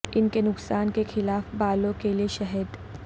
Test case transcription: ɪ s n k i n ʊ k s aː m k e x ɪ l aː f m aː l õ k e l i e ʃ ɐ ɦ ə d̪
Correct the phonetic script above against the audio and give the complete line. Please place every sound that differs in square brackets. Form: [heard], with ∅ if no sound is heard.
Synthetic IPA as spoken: ɪ [∅] n k [e] n ʊ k s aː [n] k e x ɪ l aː f [b] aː l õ k e l i e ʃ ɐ ɦ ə d̪